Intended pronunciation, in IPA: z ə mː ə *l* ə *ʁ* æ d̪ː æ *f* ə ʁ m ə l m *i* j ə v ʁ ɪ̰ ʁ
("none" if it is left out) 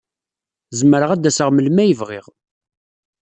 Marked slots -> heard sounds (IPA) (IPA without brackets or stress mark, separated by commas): ɾ, ʁ, s, æ